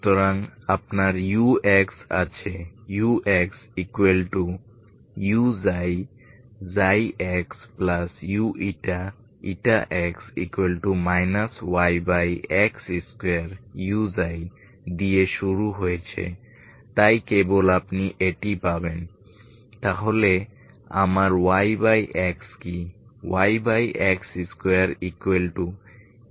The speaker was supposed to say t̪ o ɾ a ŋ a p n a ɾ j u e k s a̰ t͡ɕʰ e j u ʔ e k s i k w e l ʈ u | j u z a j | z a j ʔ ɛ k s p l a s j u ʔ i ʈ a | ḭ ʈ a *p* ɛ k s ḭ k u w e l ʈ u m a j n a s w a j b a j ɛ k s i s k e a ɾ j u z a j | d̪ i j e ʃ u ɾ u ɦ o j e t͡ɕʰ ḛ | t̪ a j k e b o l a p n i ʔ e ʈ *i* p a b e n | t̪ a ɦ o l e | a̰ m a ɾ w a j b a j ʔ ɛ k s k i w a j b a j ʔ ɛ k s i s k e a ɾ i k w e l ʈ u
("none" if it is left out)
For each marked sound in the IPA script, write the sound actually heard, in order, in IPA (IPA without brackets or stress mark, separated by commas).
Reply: ʔ, i